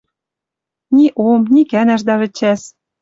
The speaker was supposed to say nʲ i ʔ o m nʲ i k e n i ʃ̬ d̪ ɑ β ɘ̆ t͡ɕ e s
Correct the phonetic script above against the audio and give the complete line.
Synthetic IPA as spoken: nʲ i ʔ o m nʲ i k æ n æ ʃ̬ d̪ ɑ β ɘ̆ t͡ɕ æ s